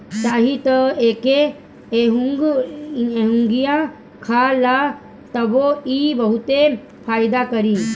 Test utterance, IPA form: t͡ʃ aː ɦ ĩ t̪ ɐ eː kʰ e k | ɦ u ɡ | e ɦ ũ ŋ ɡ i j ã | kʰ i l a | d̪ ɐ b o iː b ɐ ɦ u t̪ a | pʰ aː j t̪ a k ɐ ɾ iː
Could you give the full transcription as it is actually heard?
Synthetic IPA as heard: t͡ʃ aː ɦ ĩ t̪ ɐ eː k e | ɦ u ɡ | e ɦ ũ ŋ ɡ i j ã | kʰ a l a | t̪ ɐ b o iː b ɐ ɦ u t̪ e | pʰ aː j d̪ a k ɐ ɾ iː

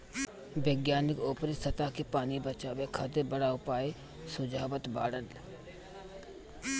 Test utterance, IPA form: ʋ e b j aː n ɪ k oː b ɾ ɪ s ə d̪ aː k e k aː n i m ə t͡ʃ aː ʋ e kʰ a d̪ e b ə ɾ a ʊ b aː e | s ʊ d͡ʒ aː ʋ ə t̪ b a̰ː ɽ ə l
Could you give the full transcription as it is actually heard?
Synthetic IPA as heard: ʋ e ɡ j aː n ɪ k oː p ɾ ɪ s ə t̪ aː k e p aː n i b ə t͡ʃ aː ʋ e kʰ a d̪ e b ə ɽ a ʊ p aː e | s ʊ d͡ʒ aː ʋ ə t̪ b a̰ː ɽ ə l

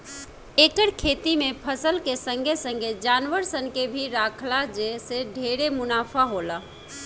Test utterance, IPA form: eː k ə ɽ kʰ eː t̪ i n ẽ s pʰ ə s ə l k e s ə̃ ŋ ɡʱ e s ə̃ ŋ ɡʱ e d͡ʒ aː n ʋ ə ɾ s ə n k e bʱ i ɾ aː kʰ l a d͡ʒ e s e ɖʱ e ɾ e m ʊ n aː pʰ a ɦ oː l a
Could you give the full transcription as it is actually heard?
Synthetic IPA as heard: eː k ə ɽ kʰ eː t̪ i m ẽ pʰ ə s ə l k e s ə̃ ŋ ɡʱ e s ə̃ ŋ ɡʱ e d͡ʒ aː n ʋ ə ɾ s ə n k e bʱ i ɾ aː kʰ l a d͡ʒ e s e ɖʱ e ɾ e m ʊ n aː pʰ a ɦ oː l a

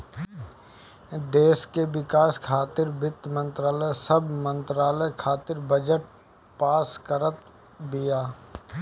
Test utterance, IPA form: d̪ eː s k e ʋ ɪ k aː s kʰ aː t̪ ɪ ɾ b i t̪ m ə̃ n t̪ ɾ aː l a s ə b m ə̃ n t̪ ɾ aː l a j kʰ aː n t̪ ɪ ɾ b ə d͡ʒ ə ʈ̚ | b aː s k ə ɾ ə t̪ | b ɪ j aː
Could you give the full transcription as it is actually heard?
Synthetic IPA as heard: d̪ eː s k e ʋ ɪ k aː s kʰ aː t̪ ɪ ɾ b ɪ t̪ m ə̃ n t̪ ɾ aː l ə s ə b m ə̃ n t̪ ɾ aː l ə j kʰ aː t̪ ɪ ɾ b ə d͡ʒ ə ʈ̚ | p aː s k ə ɾ ə t̪ | b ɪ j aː

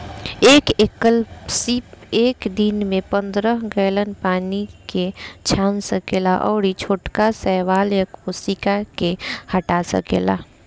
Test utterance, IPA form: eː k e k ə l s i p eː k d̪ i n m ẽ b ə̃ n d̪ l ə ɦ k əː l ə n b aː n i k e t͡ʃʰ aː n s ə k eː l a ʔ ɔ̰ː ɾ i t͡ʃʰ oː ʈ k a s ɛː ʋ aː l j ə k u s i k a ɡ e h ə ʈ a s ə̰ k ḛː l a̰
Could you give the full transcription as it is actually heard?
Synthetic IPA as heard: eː k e k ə l s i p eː k d̪ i n m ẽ p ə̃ n d̪ ɾ ə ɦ ɡ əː l ə n p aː n i k e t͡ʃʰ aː n s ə k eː l a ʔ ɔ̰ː ɾ i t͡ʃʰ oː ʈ k a s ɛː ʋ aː l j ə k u s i k a k e h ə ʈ a s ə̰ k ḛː l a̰

